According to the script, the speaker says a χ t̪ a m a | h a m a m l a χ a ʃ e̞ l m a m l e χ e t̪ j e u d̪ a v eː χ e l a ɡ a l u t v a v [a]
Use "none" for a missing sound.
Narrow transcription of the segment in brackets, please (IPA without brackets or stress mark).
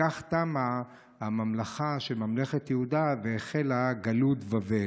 e